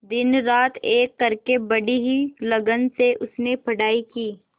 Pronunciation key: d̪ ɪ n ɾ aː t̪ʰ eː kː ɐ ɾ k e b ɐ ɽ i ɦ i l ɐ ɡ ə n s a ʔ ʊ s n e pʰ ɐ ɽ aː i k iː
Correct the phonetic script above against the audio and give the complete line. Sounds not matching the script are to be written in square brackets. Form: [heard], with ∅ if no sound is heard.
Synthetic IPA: d̪ ɪ n ɾ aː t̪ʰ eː kː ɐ ɾ k e b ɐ ɽ i ɦ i l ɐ ɡ ə n s [e] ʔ ʊ s n e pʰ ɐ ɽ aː i k iː